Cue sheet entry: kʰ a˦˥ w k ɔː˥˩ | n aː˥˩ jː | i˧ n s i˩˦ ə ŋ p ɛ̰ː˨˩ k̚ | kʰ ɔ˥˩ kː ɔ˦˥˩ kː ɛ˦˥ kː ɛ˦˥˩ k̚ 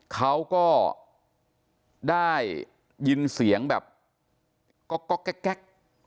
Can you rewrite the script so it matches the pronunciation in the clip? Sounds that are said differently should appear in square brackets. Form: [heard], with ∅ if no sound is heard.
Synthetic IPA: kʰ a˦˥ w k ɔː˥˩ | [d] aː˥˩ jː | i˧ n s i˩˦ ə ŋ [b] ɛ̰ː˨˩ [p̚] | [k] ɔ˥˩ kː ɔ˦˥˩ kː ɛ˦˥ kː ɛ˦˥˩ k̚